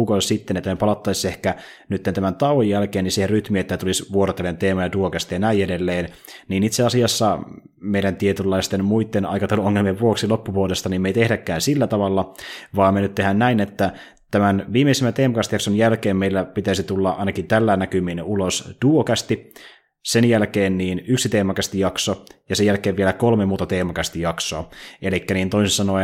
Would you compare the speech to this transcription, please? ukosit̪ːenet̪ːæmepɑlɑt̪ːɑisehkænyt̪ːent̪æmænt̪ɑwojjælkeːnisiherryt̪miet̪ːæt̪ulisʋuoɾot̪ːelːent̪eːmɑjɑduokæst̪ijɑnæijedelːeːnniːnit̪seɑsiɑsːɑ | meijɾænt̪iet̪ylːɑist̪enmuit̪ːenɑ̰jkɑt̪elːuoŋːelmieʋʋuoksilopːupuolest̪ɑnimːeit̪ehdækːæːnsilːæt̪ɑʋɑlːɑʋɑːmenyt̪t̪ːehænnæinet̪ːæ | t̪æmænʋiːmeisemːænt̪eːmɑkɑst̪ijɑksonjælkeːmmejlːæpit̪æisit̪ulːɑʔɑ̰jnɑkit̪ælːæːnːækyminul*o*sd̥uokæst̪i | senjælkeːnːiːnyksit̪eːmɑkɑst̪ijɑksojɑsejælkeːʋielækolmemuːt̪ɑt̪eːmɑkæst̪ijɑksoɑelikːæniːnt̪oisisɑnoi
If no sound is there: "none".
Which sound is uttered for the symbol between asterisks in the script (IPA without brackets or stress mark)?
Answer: o